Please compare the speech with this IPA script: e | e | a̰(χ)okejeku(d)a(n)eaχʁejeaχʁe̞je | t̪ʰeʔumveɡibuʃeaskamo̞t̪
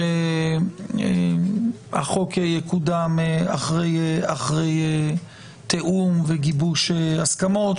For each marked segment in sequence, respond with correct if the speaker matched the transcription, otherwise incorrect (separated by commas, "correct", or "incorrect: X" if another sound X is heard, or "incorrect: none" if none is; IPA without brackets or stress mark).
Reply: correct, correct, incorrect: m